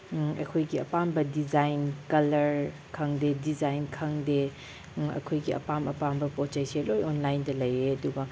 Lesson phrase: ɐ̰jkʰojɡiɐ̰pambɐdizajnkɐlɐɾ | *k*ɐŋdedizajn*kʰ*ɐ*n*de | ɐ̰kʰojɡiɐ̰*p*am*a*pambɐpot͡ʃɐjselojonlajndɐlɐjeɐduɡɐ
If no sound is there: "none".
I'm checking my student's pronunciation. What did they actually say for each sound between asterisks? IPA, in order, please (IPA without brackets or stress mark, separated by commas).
kʰ, kʰ, ŋ, p, ɐ